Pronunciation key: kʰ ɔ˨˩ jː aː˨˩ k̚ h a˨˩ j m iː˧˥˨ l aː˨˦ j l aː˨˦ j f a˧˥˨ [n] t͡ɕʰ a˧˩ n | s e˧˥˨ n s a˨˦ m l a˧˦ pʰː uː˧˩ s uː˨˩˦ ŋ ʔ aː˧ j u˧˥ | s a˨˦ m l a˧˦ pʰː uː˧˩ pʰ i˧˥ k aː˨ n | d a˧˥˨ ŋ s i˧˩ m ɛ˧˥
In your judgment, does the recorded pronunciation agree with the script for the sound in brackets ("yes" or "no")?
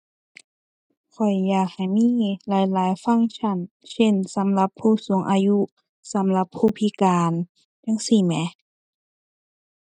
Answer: no